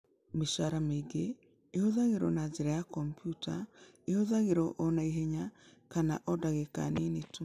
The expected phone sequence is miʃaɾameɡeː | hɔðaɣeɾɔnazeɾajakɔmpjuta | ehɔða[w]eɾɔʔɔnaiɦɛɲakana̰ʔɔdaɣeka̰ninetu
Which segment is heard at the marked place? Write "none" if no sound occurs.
ɣ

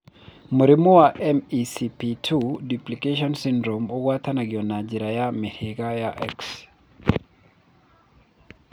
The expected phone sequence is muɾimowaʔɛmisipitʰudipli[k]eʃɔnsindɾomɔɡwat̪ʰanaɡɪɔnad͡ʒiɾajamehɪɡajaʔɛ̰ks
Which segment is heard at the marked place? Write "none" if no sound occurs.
k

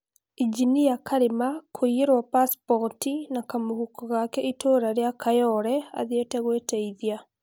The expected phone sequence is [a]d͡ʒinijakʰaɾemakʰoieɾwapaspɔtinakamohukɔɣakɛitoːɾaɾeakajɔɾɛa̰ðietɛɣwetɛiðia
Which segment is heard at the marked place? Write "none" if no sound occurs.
i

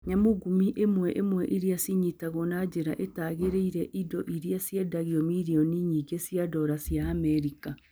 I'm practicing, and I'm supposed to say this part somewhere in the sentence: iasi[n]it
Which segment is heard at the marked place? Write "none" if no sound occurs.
ɲ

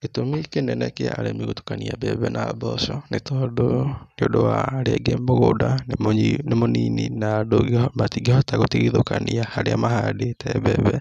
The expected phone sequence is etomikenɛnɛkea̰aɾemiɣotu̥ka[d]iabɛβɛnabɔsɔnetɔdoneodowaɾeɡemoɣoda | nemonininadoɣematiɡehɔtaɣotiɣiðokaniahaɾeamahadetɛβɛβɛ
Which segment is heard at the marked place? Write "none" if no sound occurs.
n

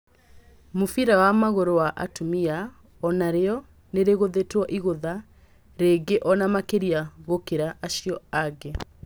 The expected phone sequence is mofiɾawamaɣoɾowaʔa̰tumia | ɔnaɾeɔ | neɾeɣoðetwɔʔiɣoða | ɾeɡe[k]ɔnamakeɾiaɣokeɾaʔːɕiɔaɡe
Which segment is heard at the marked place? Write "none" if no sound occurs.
ʔ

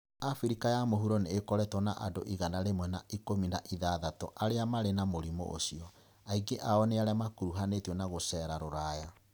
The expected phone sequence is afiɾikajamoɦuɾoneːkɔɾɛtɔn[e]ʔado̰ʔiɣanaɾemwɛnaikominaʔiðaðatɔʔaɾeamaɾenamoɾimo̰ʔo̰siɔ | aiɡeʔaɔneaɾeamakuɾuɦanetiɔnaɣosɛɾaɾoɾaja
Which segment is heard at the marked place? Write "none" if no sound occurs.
a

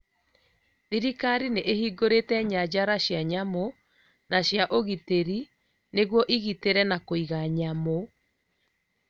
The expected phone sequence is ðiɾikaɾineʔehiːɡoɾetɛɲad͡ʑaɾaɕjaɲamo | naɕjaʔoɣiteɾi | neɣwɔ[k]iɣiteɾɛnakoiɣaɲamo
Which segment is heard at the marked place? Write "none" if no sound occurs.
ʔ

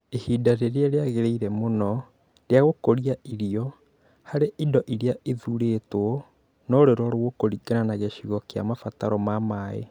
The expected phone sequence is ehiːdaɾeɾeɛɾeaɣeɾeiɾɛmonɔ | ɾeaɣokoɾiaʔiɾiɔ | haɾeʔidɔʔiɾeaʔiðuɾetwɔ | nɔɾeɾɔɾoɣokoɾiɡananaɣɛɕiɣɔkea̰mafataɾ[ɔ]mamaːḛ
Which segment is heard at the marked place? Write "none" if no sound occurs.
ɔ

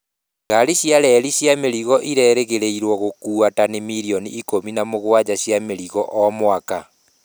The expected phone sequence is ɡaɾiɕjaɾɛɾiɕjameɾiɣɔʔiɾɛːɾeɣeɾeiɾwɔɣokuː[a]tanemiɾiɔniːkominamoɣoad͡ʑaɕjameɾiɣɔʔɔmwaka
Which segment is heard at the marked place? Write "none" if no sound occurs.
a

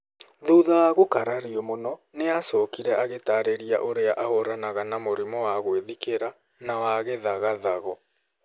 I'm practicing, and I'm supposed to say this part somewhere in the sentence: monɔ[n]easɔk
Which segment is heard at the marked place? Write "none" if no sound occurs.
n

